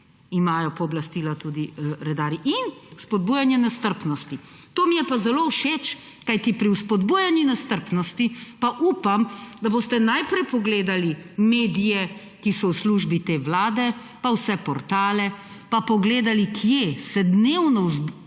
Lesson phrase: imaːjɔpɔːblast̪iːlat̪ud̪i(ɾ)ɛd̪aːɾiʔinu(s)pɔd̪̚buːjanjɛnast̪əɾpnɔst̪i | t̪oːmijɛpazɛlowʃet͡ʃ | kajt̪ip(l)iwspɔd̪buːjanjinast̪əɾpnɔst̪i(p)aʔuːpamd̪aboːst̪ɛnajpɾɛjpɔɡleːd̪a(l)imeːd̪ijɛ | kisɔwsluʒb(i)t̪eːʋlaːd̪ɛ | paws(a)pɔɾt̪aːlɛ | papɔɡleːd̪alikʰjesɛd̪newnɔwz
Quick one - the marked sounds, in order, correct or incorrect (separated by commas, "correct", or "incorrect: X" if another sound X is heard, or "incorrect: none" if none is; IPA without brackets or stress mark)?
correct, correct, incorrect: ɾ, correct, correct, correct, incorrect: ɛ